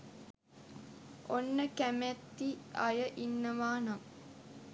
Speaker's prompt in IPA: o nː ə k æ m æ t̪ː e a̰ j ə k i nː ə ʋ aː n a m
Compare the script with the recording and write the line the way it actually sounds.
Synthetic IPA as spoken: o nː ə k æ m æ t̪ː i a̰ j ə ʔ i nː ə ʋ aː n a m